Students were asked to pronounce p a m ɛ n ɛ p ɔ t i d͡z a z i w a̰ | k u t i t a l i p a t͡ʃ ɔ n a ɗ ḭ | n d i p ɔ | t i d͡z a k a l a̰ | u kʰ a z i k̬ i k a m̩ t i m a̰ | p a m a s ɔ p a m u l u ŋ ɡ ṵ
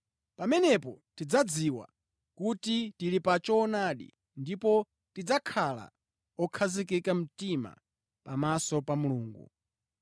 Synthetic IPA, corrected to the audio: p a m ɛ n ɛ p ɔ t i d͡z a d͡z i w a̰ | k u t i t i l i p a t͡ʃ ɔ n a ɗ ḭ | n d i p ɔ | t i d͡z a kʰ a l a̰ | ɔ kʰ a z i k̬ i k a m̩ t i m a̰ | p a m a s ɔ p a m u l uː ŋ ɡ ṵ